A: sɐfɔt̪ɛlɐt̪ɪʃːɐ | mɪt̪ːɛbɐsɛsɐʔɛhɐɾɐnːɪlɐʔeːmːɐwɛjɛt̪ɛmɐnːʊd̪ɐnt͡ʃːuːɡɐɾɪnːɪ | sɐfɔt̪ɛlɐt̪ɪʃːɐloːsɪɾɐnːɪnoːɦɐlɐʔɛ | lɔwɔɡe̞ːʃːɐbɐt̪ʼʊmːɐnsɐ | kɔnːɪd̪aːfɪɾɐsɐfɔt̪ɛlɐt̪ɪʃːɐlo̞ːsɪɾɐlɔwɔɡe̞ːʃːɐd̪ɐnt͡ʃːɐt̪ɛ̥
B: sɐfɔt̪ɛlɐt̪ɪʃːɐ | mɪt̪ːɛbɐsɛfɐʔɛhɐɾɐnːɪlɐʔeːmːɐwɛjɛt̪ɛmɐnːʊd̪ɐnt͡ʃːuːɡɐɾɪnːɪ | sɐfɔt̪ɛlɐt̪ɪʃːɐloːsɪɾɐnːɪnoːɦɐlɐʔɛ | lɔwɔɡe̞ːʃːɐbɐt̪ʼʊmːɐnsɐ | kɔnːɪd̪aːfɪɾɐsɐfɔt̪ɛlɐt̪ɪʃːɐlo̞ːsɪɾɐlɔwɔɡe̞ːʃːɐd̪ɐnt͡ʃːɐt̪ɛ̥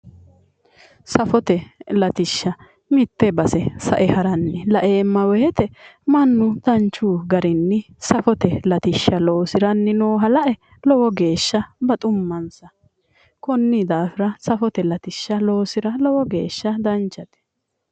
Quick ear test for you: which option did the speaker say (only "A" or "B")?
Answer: A